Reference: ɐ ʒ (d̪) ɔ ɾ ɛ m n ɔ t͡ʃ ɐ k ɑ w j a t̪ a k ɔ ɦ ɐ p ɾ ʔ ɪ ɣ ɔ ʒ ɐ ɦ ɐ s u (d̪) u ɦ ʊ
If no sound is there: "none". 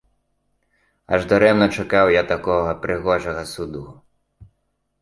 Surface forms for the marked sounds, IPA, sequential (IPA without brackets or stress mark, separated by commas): d̪, d̪